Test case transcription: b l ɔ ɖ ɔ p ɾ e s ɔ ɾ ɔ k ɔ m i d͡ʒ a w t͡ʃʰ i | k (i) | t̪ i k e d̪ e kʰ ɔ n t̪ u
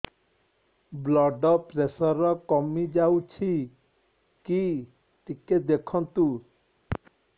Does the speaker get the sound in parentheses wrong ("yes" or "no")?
no